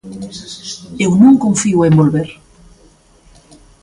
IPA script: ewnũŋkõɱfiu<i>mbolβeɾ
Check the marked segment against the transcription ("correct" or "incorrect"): incorrect